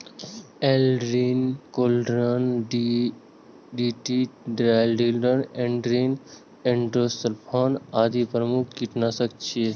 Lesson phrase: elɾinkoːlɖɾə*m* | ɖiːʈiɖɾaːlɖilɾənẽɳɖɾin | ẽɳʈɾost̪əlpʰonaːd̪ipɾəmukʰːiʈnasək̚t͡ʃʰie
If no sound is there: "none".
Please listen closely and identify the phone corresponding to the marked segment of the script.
n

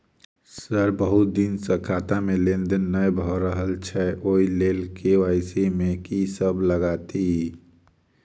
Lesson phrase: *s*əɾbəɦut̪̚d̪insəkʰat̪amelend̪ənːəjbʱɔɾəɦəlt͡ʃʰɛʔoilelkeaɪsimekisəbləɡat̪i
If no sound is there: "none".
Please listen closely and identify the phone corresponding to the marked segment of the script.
s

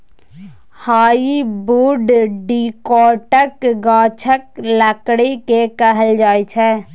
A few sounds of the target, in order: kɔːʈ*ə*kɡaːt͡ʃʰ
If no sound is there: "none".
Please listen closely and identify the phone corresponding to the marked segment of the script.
ə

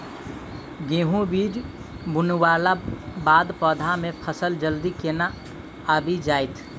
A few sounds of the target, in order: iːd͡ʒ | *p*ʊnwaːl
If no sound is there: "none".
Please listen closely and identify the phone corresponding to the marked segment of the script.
b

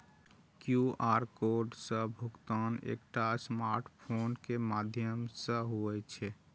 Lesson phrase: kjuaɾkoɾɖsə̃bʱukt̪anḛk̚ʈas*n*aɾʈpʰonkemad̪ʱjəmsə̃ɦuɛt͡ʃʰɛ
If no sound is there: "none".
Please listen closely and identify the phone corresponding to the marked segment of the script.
m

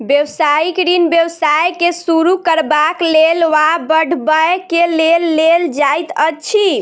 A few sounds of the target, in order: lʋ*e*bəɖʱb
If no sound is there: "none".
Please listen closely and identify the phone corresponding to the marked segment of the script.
a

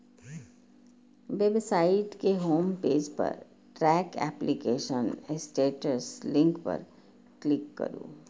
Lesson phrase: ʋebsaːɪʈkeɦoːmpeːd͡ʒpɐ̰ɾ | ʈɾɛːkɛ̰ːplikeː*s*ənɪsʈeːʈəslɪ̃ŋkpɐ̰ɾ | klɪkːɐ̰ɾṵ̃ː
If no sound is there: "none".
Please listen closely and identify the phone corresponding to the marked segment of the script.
ʃ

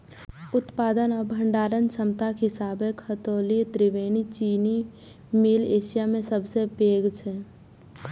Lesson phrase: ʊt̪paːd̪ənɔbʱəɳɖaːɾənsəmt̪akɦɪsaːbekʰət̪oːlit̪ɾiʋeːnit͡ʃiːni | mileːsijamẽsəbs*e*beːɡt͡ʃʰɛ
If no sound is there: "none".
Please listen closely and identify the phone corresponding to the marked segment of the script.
e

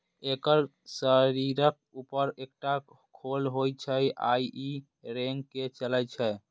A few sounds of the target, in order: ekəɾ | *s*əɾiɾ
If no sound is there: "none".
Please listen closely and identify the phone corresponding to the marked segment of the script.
s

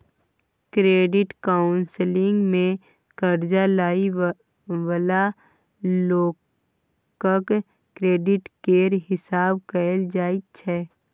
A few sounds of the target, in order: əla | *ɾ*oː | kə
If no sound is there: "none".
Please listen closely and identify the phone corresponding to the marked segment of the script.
l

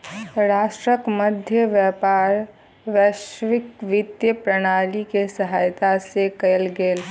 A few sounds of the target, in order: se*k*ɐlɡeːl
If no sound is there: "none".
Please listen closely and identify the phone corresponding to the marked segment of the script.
k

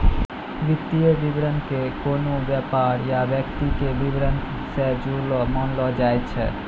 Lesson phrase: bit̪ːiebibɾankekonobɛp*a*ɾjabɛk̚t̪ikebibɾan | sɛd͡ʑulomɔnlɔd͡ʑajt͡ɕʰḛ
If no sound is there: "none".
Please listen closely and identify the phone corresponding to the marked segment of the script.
a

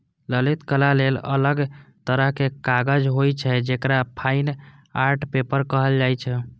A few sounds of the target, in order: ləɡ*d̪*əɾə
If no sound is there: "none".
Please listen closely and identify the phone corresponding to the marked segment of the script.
t̪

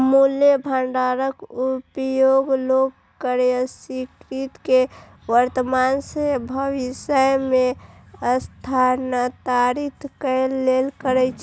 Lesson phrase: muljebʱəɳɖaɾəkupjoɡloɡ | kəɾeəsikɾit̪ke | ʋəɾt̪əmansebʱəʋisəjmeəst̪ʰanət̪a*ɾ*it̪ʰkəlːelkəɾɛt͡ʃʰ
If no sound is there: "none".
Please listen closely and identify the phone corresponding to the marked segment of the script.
ɾ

